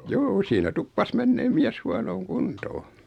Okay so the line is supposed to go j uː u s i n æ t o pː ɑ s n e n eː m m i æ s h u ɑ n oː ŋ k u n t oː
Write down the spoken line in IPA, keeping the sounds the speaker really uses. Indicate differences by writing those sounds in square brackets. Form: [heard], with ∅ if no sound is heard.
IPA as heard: j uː u s [iː] n æ t [u] pː ɑ s [m] e [nː] eː m m i æ s h u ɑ n oː ŋ k u n t oː